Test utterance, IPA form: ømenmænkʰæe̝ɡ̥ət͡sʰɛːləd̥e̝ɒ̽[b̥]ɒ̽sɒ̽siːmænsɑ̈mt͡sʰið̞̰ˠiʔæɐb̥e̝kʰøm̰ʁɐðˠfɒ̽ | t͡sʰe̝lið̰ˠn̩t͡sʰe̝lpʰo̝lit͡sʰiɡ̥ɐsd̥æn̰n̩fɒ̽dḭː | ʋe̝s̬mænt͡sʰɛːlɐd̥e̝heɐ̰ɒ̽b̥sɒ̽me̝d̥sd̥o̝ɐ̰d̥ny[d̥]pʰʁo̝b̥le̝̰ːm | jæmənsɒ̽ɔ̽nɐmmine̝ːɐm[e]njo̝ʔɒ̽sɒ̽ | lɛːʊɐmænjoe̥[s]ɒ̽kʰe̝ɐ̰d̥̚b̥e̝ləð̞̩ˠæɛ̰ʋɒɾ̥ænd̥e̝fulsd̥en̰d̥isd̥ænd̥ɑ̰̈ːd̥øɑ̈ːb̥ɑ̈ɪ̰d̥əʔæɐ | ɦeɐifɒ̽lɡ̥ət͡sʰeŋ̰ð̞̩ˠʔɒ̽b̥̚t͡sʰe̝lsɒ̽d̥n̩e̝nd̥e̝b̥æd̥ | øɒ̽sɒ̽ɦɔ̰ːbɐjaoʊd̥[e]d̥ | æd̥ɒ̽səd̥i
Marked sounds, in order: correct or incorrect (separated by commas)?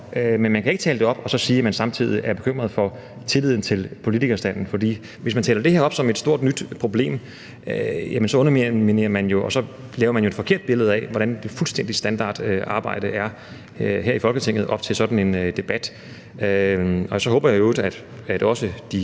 correct, correct, incorrect, incorrect, incorrect